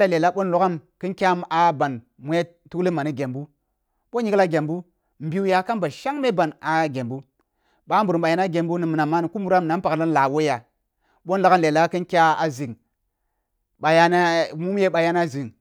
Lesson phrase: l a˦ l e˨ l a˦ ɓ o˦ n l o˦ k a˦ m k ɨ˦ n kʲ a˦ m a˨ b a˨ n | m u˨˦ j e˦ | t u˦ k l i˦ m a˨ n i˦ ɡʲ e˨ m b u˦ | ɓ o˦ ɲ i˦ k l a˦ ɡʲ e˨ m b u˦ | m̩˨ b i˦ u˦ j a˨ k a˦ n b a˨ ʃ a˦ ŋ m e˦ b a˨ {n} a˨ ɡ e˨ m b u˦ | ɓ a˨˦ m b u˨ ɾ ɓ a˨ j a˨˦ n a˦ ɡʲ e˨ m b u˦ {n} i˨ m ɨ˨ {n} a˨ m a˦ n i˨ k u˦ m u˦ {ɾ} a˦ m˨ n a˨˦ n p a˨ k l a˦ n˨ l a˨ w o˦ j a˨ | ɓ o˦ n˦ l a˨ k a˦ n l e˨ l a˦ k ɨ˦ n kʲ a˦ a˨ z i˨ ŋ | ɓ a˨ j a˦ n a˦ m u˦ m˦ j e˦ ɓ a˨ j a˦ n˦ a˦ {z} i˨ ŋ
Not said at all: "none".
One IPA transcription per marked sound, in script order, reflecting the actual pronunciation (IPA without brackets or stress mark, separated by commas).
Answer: n, n, n, ɾ, z